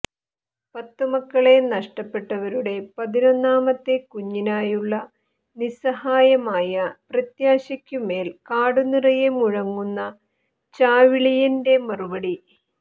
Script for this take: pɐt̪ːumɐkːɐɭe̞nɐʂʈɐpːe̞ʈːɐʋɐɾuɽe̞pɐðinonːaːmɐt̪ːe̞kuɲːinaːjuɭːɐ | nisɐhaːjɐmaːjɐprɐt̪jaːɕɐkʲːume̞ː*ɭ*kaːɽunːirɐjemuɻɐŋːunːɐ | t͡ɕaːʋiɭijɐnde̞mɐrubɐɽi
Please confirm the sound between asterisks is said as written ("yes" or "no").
no